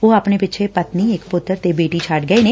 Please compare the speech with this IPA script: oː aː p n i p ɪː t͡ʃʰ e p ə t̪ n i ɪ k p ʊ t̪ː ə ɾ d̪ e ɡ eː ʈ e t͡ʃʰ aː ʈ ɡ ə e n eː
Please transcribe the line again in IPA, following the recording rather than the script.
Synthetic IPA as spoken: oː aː p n e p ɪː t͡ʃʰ e p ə t̪ n i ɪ k p ʊ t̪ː ə ɾ t̪ e b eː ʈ i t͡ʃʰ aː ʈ ɡ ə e n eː